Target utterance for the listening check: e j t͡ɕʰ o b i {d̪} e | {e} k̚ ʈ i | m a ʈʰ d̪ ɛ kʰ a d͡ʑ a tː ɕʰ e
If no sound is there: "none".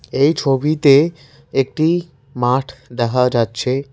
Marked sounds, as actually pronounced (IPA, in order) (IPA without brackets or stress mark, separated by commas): t̪, e